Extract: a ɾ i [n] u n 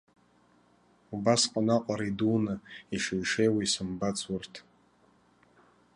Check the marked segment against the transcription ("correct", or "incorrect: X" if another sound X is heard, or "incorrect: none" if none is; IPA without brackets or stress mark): incorrect: d